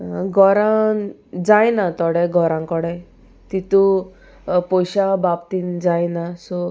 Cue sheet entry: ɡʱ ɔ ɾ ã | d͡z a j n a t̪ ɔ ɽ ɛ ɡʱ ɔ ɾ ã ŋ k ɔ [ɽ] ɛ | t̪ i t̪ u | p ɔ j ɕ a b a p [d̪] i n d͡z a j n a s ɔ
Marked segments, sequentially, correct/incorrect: correct, incorrect: t̪

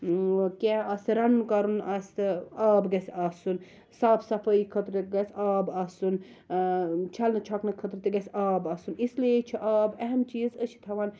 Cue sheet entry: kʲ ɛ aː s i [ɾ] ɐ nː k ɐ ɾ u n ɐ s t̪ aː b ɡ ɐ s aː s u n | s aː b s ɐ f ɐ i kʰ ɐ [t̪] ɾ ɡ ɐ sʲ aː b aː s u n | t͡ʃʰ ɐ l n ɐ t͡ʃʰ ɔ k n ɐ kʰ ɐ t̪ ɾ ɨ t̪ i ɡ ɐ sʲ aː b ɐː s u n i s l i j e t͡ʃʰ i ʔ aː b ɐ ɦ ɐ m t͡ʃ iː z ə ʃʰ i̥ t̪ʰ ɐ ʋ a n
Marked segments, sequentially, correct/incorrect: correct, correct

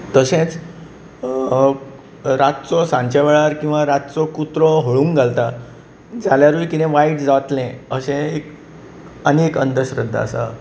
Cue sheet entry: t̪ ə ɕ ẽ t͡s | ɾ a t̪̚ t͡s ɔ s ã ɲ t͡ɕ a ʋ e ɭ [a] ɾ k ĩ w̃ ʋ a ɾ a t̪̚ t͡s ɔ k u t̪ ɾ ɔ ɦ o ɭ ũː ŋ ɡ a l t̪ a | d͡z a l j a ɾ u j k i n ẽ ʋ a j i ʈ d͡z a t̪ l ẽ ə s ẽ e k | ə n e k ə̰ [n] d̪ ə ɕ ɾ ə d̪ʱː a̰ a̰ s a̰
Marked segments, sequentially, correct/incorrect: correct, correct

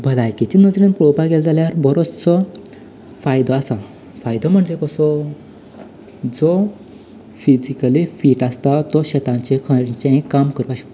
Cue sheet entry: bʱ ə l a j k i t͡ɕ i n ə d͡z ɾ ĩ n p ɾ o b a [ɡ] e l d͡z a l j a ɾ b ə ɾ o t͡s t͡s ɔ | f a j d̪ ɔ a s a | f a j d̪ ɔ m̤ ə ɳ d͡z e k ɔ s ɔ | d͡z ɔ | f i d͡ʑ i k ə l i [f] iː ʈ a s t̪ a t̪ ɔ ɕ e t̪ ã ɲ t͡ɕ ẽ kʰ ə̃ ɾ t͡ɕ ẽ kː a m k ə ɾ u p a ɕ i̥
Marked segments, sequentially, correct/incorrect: correct, correct

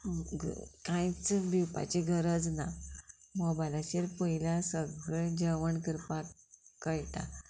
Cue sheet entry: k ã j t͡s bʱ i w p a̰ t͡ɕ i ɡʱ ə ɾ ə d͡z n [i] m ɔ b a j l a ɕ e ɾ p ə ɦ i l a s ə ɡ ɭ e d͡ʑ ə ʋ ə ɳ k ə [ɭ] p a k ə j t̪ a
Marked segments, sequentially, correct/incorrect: incorrect: a, incorrect: ɾ

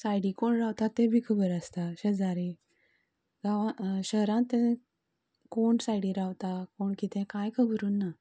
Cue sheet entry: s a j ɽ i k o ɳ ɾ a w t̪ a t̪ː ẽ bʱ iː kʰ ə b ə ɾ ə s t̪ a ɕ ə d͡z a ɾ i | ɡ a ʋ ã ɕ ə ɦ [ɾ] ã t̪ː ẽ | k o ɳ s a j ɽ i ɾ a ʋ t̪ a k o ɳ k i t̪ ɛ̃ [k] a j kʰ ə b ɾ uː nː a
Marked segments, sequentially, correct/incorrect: correct, correct

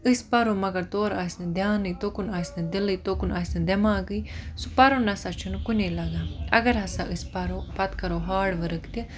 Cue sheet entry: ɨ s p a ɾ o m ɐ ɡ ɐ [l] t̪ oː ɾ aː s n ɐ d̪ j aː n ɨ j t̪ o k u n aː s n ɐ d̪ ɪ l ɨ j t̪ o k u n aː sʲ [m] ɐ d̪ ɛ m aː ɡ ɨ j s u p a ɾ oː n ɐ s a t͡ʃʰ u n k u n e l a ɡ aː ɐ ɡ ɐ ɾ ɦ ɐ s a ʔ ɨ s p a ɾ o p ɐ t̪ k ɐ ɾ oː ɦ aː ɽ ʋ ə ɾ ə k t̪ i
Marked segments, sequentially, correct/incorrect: incorrect: ɾ, incorrect: n

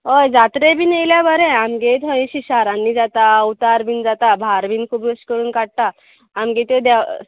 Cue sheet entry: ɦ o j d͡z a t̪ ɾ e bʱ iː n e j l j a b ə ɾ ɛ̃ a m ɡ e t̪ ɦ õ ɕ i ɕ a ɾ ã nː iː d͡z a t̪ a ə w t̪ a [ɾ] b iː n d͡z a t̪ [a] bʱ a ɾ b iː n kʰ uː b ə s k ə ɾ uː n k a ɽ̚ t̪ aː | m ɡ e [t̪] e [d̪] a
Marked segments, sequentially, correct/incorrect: correct, correct, correct, correct

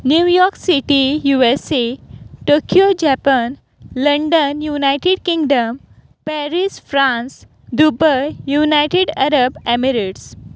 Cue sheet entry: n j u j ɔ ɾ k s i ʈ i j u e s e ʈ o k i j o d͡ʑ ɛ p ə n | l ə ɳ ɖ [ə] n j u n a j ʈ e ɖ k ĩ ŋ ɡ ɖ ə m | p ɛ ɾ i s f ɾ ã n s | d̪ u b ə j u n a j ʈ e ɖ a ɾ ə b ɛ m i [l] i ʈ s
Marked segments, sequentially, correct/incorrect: correct, incorrect: ɾ

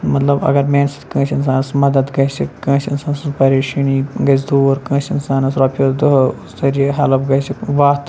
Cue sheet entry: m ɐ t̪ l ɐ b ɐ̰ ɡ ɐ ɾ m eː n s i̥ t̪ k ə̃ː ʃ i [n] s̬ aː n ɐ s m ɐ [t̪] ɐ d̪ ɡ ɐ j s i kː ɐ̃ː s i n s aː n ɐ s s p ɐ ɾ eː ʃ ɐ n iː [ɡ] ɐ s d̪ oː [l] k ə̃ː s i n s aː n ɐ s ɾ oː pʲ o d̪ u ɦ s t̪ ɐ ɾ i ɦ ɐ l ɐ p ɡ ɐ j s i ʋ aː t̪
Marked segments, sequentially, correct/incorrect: correct, incorrect: d̪, correct, incorrect: ɾ

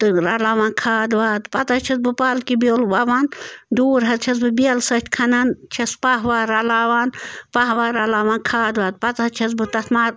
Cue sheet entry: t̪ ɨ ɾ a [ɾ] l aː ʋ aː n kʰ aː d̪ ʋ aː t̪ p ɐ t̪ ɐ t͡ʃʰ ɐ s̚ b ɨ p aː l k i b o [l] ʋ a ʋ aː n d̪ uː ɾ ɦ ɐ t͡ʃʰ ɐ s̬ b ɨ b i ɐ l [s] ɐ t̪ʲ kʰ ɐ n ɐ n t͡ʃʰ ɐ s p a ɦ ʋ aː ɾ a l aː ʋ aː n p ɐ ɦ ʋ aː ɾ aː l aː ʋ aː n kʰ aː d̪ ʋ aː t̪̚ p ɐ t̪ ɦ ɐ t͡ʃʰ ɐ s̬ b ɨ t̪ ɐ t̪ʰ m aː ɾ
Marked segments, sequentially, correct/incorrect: incorrect: none, correct, correct

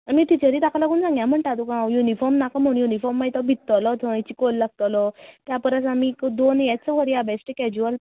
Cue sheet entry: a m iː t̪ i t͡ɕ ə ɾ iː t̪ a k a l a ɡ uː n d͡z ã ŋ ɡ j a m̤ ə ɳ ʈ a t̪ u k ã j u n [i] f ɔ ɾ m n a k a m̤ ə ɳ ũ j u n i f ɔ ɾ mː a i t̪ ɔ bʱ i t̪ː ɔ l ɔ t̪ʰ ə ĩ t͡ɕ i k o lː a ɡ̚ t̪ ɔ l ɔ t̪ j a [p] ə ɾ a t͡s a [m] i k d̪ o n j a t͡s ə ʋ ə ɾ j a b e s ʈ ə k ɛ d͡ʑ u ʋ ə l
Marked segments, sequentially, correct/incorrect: correct, correct, correct

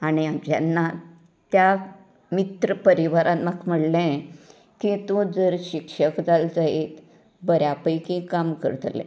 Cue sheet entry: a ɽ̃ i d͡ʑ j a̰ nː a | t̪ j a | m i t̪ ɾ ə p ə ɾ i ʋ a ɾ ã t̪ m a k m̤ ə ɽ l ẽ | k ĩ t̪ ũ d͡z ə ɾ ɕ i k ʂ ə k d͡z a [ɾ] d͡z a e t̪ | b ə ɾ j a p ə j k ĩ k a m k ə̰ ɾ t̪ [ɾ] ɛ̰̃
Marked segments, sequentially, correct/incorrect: incorrect: l, incorrect: l

